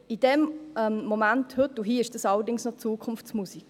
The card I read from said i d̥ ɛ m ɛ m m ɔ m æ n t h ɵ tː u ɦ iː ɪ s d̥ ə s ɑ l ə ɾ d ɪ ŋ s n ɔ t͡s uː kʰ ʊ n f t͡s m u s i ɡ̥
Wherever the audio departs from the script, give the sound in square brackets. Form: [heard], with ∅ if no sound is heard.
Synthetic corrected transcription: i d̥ ɛ m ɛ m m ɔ m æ n t h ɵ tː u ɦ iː ɪ [ʃ] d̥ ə s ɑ l ə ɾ d ɪ ŋ s n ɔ t͡s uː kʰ ʊ n f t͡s m u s i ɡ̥

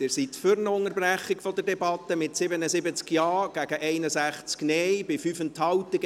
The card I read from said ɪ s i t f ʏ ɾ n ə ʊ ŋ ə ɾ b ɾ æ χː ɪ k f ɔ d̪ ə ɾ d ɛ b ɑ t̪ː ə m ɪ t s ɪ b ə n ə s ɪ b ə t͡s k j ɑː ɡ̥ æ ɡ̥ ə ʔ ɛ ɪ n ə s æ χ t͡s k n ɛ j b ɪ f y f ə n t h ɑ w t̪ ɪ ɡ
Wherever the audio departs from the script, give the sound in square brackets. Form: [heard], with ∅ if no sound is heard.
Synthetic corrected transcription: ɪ s i t f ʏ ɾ n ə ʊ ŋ ə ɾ b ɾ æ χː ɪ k f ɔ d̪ ə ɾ d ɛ b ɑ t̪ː ə m ɪ t s ɪ b ə n ə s ɪ b ə t͡s k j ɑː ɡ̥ æ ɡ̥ ə ʔ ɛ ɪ n ə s æ χ t͡s k n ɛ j b ɪ f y f ə n t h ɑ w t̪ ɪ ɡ

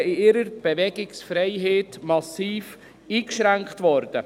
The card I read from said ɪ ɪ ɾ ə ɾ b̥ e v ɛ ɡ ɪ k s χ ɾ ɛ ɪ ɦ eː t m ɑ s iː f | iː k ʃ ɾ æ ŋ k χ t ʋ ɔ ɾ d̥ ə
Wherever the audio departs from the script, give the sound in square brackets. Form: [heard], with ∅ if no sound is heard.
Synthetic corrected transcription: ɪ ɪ ɾ ə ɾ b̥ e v ɛ ɡ ɪ k s [f] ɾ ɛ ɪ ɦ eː t m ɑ s iː f | iː k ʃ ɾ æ ŋ k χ t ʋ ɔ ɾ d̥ ə

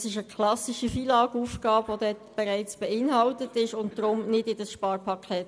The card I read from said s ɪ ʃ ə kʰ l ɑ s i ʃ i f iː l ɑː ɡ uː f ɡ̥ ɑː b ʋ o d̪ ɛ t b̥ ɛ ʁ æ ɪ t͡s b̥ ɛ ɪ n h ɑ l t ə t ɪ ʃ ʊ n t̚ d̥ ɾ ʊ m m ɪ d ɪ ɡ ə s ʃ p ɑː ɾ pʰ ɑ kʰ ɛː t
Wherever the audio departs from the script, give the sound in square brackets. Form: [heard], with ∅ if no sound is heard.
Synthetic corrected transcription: s ɪ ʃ ə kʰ l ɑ s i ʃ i f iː l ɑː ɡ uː f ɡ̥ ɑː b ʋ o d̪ ɛ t b̥ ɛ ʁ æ ɪ t͡s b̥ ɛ ɪ n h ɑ l t ə t ɪ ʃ ʊ n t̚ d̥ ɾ ʊ m [n] ɪ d ɪ [d] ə s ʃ p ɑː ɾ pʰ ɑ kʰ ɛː t

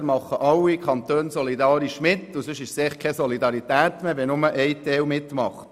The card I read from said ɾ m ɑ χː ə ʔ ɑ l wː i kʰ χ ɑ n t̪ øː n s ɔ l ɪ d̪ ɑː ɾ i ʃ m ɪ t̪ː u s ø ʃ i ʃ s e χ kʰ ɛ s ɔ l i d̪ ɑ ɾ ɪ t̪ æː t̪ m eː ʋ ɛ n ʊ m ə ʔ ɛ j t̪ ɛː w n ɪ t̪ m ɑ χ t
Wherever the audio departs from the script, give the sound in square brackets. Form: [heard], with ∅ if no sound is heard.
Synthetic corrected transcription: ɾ m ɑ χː ə ʔ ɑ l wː i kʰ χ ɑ n t̪ øː n s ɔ l [i] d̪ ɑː ɾ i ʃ m ɪ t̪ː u s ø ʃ [ɪ] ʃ s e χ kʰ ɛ s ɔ l i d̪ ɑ ɾ [i] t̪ æː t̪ m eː ʋ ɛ n ʊ m ə ʔ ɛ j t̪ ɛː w [m] ɪ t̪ m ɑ χ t

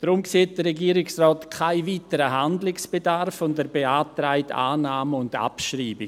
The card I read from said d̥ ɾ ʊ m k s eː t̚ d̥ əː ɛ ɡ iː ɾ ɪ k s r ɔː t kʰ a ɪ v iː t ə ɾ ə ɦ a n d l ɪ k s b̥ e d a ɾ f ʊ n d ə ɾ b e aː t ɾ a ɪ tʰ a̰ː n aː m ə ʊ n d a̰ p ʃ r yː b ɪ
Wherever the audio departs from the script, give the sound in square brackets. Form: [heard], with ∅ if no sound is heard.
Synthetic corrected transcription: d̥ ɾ ʊ m k s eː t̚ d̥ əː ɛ ɡ iː ɾ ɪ k s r ɔː t kʰ a ɪ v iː t ə ɾ ə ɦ a n d l ɪ k s b̥ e d a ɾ f ʊ n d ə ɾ b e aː t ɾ a ɪ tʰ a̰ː n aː m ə ʊ n d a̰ p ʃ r [iː] b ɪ

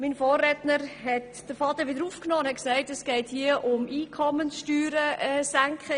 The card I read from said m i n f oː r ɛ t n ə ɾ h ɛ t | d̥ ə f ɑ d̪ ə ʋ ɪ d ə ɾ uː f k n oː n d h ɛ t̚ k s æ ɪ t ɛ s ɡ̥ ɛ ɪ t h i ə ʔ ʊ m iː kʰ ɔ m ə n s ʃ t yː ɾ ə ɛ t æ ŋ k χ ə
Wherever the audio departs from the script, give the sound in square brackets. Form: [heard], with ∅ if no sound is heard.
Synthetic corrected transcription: m i n f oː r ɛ t n ə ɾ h ɛ t | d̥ ə f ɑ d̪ ə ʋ ɪ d ə ɾ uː f k n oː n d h ɛ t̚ k s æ ɪ t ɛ s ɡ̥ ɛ ɪ t h i ə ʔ ʊ m iː kʰ ɔ m ə n s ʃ t yː ɾ ə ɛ [s] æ ŋ k χ ə

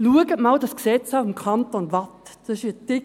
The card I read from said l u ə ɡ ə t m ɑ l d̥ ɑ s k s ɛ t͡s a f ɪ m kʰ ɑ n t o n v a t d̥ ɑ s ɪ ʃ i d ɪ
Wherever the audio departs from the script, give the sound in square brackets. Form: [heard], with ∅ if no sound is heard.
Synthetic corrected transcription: l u ə ɡ ə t m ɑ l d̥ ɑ s k s ɛ t͡s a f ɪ m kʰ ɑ n t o n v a t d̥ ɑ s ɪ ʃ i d ɪ

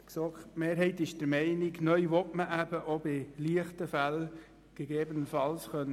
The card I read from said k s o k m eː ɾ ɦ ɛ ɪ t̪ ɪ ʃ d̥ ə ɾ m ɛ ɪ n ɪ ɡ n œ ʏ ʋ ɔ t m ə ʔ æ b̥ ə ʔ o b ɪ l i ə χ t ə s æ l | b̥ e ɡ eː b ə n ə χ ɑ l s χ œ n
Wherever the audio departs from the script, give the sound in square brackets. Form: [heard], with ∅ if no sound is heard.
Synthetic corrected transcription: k s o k m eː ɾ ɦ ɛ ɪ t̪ ɪ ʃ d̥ ə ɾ m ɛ ɪ n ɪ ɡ n œ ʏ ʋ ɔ t m ə ʔ æ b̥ ə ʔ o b ɪ l i ə χ t ə [f] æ l | [ɡ̥] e ɡ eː b ə n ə [f] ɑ l s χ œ n

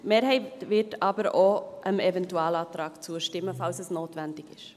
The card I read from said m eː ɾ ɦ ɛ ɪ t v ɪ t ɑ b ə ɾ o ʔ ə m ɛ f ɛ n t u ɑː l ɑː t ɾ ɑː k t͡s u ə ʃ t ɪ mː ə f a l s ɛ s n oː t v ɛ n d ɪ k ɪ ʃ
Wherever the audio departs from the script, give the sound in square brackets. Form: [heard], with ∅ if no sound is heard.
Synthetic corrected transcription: m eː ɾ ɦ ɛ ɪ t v ɪ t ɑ b ə ɾ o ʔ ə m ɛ [v] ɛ n t u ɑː l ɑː t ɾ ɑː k t͡s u ə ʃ t ɪ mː ə f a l s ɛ s n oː t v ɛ n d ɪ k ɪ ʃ

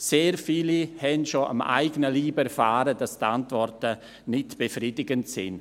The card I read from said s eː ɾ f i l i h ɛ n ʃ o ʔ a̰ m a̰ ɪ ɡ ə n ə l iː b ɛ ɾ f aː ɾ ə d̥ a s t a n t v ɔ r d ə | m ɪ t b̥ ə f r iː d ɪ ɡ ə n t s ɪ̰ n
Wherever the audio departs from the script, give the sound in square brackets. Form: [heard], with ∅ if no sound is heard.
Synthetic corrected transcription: s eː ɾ f [iː] l i h ɛ n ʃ o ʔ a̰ m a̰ ɪ ɡ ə n ə l iː b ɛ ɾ f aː ɾ ə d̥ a s t a n t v ɔ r [t] ə | [n] ɪ t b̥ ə f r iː d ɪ ɡ ə n t s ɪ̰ n

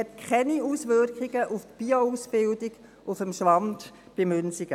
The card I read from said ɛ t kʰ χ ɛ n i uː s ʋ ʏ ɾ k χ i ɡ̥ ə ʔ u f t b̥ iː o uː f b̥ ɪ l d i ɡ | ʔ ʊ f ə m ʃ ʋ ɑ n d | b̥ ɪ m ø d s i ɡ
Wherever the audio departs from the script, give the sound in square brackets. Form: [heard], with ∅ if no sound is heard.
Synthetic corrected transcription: ɛ t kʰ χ ɛ n i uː s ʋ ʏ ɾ k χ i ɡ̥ ə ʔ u f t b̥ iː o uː [s] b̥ ɪ l d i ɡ | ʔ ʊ f ə m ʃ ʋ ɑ n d | b̥ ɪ m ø [n] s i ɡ

